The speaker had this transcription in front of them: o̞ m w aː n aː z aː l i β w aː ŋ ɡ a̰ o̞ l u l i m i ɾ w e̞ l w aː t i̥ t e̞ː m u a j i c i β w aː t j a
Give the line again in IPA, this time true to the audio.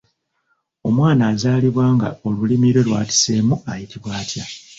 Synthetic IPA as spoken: o̞ m w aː n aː z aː l i β w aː ŋ ɡ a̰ o̞ l u l i m i ɾ w e̞ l w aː t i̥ s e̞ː m u a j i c i β w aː t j a